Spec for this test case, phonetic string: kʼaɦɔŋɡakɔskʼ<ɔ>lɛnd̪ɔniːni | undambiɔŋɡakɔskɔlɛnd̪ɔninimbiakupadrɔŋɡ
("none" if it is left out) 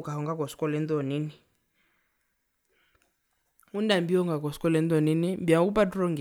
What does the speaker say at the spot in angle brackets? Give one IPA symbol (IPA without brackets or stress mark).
ɔ